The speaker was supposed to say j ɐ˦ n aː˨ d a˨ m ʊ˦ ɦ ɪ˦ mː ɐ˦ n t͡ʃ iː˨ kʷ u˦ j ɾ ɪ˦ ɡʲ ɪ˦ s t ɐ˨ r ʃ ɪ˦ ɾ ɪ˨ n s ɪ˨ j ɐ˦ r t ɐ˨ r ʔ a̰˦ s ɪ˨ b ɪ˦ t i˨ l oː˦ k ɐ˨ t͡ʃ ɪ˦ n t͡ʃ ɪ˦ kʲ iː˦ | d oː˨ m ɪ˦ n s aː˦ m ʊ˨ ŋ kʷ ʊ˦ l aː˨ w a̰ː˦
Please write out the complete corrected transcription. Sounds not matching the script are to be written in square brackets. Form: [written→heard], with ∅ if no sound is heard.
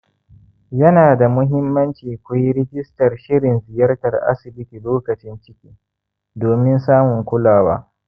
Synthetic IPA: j ɐ˦ n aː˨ d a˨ m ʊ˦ ɦ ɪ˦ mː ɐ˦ n t͡ʃ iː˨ kʷ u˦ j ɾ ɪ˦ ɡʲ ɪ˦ s t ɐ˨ r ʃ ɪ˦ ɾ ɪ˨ n [s→z] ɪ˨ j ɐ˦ r t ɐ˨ r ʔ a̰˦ s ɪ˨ b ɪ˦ t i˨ l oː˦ k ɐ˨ t͡ʃ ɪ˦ n t͡ʃ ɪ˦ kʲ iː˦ | d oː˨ m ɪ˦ n s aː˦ m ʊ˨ ŋ kʷ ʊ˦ l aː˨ w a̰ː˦